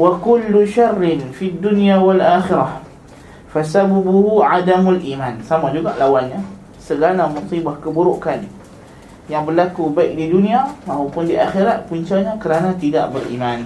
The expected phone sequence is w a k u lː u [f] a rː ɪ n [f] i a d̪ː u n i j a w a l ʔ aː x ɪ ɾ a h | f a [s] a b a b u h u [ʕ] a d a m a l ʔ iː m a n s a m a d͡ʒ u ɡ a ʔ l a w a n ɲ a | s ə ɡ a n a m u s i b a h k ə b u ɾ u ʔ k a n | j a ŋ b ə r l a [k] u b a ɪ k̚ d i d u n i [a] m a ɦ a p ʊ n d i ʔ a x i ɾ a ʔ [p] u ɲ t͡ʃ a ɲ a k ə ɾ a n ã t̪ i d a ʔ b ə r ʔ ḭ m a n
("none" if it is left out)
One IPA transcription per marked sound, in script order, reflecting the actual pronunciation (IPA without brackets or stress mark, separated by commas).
ʃ, f, s, ʕ, k, a, p